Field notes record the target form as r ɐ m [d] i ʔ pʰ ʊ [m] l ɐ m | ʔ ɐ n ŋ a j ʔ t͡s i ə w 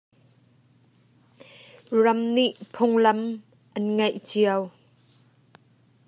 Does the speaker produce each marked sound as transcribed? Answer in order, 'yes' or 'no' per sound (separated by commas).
no, no